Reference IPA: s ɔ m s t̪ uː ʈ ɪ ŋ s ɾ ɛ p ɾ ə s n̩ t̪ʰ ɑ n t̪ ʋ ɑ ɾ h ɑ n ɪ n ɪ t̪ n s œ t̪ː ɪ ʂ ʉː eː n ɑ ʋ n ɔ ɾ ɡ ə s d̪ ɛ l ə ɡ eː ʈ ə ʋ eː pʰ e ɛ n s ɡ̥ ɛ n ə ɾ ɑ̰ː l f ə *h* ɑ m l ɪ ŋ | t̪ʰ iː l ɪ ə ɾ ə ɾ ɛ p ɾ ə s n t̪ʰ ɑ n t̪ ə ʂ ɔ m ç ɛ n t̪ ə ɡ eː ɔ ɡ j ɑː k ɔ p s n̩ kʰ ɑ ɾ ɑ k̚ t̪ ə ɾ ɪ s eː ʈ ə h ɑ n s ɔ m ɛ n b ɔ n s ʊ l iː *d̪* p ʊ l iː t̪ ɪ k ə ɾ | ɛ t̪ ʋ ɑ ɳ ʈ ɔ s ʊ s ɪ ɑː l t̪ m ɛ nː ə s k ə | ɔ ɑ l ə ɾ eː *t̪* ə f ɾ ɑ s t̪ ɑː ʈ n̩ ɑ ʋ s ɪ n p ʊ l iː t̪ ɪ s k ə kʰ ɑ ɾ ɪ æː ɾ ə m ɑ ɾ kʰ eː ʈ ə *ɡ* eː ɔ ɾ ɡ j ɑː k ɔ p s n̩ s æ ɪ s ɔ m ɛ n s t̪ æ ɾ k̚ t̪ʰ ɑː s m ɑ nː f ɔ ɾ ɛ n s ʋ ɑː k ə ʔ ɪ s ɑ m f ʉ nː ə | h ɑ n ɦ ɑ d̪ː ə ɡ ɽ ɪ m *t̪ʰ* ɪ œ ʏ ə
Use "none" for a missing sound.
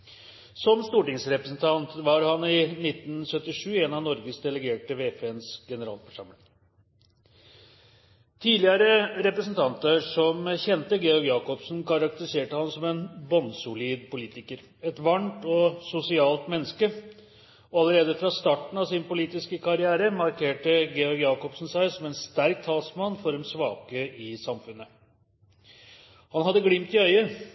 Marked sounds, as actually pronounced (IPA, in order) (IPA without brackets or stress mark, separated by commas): ʂ, d̪, d̪, ɡ, t̪